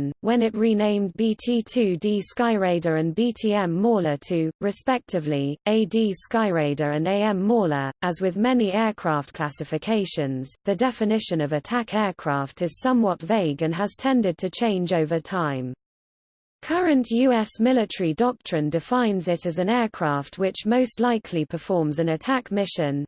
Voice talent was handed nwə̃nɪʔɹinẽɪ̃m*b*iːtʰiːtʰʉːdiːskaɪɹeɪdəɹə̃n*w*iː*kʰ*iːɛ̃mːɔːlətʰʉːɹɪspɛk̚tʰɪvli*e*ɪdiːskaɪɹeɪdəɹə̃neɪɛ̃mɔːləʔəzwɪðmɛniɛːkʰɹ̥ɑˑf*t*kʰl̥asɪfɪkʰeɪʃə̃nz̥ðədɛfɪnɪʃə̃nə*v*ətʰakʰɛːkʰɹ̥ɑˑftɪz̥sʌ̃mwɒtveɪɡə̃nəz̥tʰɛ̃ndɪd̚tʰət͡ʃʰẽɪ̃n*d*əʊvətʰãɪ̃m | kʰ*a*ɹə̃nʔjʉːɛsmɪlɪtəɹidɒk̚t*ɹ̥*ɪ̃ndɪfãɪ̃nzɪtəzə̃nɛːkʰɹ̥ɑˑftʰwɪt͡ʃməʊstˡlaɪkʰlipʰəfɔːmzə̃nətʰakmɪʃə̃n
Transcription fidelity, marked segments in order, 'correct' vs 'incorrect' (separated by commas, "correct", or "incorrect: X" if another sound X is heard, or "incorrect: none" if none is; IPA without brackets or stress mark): correct, incorrect: b, incorrect: tʰ, correct, correct, correct, incorrect: d͡ʒ, incorrect: ʌ, correct